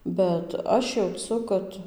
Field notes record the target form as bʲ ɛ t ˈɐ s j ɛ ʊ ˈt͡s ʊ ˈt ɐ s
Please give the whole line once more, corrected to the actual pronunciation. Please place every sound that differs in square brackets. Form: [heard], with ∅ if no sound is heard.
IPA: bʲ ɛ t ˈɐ [ʃ] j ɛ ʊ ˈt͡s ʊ [ˈk] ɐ [t]

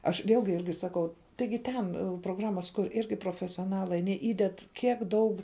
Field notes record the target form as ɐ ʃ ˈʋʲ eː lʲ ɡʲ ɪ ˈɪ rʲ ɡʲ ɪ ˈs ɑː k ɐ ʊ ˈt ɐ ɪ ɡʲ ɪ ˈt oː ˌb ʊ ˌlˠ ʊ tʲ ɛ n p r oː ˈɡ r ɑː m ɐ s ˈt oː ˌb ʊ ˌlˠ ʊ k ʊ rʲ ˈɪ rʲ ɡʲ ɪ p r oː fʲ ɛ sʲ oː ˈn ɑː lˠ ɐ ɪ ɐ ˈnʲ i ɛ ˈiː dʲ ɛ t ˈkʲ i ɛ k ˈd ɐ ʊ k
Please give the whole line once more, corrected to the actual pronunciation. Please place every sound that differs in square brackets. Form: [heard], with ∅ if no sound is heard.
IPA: ɐ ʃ ˈʋʲ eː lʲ ɡʲ ɪ ˈɪ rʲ ɡʲ ɪ ˈs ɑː k ɐ ʊ ˈt ɐ ɪ ɡʲ ɪ ˈt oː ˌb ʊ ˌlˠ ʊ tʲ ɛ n p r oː ˈɡ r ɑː m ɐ s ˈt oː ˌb ʊ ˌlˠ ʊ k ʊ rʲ ˈɪ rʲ ɡʲ ɪ p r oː fʲ ɛ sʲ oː ˈn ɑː lˠ ɐ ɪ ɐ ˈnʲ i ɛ ˈiː dʲ ɛ t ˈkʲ i ɛ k ˈd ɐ ʊ k

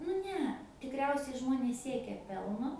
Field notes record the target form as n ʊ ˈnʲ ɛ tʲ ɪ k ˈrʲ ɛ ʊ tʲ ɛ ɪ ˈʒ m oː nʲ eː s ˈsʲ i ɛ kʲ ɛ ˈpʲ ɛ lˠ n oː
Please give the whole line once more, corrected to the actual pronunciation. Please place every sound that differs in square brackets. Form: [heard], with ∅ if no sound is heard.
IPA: n ʊ ˈnʲ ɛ tʲ ɪ k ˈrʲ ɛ ʊ [sʲ] ɛ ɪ ˈʒ m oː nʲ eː s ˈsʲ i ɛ kʲ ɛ ˈpʲ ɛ lˠ n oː

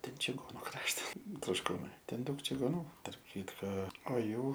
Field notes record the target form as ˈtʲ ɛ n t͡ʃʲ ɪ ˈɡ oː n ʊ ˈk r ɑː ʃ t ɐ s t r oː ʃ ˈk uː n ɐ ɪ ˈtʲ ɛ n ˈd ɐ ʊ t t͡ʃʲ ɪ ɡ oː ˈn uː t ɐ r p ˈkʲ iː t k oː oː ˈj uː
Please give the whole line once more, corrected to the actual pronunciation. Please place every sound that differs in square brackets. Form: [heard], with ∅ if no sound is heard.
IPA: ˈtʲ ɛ n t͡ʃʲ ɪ ˈɡ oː n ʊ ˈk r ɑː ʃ t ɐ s t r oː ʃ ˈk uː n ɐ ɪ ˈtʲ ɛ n ˈd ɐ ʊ [k] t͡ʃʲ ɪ ɡ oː ˈn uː t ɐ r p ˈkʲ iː t k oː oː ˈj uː

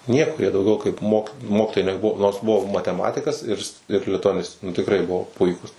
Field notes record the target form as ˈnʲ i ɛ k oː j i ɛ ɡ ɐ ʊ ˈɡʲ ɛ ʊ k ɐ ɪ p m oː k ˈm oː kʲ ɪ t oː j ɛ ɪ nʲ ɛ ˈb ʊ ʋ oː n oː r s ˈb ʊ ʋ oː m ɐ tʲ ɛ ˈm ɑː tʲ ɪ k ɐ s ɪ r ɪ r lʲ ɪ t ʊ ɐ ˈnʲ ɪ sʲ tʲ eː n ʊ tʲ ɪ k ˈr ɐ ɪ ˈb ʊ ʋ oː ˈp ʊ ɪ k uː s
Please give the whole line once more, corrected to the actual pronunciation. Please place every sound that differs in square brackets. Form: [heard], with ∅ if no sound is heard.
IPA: ˈnʲ i ɛ k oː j i ɛ [d] ɐ ʊ ˈɡʲ ɛ ʊ k ɐ ɪ p m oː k ˈm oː kʲ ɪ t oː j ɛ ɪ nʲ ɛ ˈb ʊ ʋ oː n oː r s ˈb ʊ ʋ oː m ɐ tʲ ɛ ˈm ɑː tʲ ɪ k ɐ s ɪ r ɪ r lʲ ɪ t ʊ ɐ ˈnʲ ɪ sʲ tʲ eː n ʊ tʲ ɪ k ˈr ɐ ɪ ˈb ʊ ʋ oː ˈp ʊ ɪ k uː s

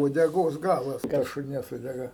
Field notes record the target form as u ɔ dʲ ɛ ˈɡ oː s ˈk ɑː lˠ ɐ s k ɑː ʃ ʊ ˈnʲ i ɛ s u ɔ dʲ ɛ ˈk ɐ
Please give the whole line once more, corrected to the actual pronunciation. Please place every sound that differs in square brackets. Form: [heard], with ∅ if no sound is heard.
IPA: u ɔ dʲ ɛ ˈɡ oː s [ˈɡ] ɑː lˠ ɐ s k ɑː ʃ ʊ ˈnʲ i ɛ s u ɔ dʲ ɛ [ˈɡ] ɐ

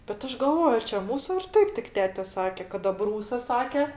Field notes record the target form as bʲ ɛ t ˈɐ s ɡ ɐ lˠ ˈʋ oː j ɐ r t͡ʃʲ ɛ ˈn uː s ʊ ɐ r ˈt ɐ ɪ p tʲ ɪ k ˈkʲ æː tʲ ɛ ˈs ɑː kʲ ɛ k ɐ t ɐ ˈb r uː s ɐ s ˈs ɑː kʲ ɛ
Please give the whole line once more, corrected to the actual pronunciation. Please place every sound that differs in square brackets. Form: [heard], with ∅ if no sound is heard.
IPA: bʲ ɛ t ˈɐ [ʃ] ɡ ɐ lˠ ˈʋ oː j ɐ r t͡ʃʲ ɛ [ˈm] uː s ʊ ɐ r ˈt ɐ ɪ p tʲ ɪ k [ˈtʲ] æː tʲ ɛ ˈs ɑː kʲ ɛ k ɐ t ɐ ˈb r uː s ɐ s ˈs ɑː kʲ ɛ

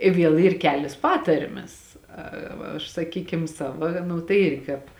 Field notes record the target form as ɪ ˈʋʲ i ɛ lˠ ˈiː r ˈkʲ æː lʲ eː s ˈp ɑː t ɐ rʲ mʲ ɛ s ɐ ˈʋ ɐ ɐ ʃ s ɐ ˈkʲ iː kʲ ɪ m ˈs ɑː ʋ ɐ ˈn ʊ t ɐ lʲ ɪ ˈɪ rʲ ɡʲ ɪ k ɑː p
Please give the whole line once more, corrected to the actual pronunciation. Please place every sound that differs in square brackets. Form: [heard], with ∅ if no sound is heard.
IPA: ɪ ˈʋʲ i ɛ lˠ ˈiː r ˈkʲ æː lʲ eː s ˈp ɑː t ɐ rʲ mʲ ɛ s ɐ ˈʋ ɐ ɐ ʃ s ɐ ˈkʲ iː kʲ ɪ m ˈs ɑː ʋ ɐ ˈn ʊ t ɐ [∅] ɪ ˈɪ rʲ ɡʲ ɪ k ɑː p

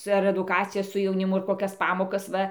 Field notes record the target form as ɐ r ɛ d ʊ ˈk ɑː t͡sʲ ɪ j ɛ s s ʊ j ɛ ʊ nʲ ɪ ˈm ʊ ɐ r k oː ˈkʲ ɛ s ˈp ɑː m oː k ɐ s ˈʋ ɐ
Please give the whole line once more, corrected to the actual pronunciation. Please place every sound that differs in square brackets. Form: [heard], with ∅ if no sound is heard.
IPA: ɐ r ɛ d ʊ ˈk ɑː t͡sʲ ɪ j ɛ s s ʊ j ɛ ʊ nʲ ɪ ˈm ʊ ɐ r k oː ˈkʲ ɛ s ˈp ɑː m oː k ɐ s ˈʋ ɐ

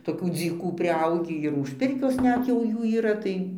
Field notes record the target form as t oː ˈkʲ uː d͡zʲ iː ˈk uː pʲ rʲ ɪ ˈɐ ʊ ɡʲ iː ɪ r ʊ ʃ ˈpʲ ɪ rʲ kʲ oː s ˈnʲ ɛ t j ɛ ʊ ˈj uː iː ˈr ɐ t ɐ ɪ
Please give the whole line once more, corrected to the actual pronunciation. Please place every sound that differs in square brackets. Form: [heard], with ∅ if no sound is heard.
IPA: t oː ˈkʲ uː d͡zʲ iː ˈk uː pʲ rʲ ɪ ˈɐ ʊ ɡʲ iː ɪ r ʊ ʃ ˈpʲ ɪ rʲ kʲ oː s ˈnʲ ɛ t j ɛ ʊ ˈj uː iː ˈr ɐ t ɐ ɪ

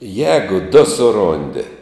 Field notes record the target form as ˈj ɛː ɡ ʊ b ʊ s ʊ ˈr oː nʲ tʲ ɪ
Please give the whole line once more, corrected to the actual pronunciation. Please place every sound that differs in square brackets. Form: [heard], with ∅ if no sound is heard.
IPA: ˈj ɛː ɡ ʊ [d] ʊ s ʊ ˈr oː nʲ [dʲ] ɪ

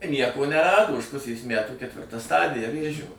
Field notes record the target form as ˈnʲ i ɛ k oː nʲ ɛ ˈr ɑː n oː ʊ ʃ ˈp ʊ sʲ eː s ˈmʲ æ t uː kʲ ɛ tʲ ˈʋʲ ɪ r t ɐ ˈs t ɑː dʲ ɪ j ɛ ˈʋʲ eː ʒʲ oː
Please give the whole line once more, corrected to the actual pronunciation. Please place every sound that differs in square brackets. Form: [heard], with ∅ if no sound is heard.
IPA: ˈnʲ i ɛ k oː nʲ ɛ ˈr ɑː [d] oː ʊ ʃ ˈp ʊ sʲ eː s ˈmʲ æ t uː kʲ ɛ tʲ ˈʋʲ ɪ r t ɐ ˈs t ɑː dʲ ɪ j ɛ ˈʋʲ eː ʒʲ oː

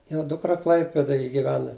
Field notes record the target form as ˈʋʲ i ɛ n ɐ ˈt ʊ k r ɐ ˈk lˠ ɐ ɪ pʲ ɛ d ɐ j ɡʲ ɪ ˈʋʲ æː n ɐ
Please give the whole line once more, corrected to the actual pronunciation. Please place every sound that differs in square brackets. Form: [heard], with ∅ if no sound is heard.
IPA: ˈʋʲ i ɛ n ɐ [ˈd] ʊ k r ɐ ˈk lˠ ɐ ɪ pʲ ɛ d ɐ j ɡʲ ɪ ˈʋʲ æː n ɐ

